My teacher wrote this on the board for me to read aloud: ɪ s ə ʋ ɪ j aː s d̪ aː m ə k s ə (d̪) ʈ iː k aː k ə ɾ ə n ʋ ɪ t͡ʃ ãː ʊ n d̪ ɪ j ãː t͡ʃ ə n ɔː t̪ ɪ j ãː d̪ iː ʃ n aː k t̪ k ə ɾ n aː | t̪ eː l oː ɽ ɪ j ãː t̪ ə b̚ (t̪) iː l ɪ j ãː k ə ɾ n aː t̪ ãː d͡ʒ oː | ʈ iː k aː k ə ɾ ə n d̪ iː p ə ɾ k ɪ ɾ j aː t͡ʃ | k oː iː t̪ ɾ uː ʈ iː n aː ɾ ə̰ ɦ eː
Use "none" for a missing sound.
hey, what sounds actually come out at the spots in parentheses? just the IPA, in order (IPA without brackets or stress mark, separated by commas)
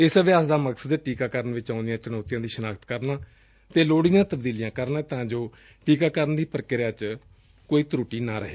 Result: d̪, d̪